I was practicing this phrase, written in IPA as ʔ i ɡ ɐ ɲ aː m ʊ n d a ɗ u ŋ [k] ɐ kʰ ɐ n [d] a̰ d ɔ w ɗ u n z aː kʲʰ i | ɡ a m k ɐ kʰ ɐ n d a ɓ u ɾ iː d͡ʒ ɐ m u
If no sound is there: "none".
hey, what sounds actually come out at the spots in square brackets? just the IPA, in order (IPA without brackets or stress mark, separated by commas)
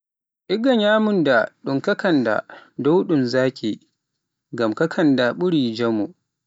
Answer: k, d